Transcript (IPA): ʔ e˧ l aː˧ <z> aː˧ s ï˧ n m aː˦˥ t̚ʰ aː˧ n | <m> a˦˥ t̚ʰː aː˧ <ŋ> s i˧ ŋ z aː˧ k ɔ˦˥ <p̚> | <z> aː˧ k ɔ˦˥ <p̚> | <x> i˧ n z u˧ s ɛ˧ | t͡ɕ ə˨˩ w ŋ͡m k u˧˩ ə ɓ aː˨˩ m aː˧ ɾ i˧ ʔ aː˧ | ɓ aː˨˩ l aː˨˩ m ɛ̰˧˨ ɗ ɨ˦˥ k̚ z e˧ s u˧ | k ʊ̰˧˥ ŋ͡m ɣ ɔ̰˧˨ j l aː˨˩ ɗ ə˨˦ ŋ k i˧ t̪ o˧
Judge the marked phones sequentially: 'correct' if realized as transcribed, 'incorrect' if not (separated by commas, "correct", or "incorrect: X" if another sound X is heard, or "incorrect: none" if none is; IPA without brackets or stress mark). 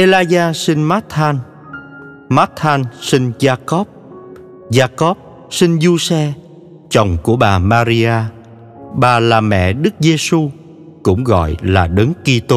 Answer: correct, correct, incorrect: n, correct, correct, correct, incorrect: s